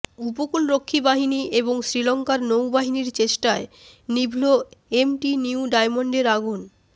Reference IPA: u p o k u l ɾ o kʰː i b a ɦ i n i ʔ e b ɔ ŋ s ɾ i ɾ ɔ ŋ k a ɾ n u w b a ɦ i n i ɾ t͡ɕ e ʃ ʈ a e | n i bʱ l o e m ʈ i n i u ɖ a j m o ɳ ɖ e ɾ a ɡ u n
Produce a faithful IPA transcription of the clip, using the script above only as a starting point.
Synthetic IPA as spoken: u p o k u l ɾ o kʰː i b a ɦ i n i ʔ e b o ŋ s ɾ i l ɔ ŋ k a ɾ n o w b a ɦ i n i ɾ t͡ɕ e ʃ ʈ a e | n i bʱ l o e m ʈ i n i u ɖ a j m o ɳ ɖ e ɾ a ɡ u n